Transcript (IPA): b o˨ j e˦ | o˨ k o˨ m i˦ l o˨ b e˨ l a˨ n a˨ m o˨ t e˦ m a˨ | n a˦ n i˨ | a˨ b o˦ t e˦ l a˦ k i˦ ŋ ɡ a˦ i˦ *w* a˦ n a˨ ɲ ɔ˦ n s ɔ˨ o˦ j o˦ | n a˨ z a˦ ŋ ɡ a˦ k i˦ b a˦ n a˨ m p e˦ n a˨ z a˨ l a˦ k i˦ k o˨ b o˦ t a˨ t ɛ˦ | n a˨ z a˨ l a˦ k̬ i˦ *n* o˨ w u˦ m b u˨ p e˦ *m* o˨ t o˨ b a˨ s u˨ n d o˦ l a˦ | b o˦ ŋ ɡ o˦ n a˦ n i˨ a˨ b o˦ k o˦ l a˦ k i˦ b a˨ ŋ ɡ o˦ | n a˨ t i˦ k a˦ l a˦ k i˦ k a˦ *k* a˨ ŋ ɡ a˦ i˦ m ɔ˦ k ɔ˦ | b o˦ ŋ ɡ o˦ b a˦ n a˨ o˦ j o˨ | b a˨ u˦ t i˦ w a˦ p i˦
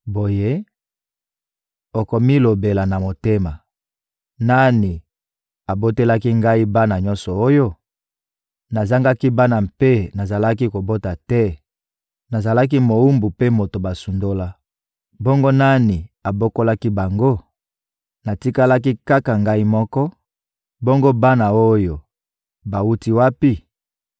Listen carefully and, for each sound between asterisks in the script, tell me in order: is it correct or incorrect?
incorrect: b, incorrect: m, correct, correct

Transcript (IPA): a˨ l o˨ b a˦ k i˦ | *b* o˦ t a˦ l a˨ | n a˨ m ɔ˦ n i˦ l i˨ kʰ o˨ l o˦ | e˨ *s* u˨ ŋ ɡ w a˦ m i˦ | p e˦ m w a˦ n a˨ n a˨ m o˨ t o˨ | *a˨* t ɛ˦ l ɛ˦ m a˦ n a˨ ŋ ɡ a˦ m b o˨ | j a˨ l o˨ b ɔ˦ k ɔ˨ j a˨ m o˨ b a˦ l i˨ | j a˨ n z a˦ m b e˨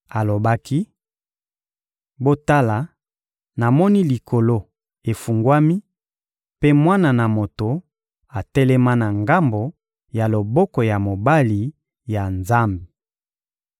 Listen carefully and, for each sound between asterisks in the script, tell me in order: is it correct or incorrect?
correct, incorrect: f, correct

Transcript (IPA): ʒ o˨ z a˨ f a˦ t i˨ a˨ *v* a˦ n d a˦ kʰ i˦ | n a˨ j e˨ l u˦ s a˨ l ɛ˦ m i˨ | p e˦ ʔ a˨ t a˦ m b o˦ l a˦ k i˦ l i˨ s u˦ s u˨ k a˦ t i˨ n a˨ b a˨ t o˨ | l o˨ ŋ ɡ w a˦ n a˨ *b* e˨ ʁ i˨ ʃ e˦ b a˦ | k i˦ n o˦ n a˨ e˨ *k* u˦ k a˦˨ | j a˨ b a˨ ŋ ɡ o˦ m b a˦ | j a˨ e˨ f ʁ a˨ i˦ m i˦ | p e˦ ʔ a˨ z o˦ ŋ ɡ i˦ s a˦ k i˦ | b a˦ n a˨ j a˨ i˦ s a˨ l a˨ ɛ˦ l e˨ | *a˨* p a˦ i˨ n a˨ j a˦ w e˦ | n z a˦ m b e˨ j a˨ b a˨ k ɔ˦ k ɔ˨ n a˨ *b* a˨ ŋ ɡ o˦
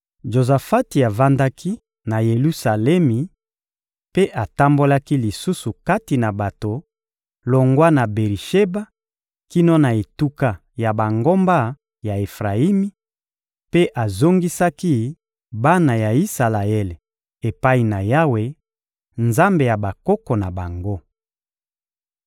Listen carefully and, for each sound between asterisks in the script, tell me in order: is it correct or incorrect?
correct, correct, incorrect: t, incorrect: e˨, correct

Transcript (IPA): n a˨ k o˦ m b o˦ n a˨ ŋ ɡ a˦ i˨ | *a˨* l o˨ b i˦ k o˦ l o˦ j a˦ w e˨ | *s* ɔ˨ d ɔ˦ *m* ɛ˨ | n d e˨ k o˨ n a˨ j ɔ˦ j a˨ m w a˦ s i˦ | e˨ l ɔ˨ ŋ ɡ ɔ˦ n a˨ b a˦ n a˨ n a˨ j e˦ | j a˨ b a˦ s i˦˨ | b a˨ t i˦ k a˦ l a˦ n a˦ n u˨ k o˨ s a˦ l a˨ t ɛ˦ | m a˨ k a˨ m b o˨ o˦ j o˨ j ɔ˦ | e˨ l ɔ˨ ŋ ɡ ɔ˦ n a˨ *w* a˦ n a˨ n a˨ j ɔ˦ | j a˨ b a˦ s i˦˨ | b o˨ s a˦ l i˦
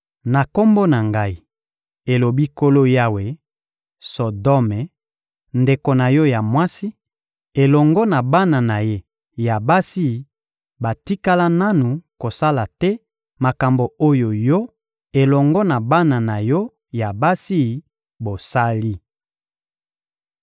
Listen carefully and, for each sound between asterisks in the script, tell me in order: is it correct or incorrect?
incorrect: e˨, correct, correct, incorrect: b

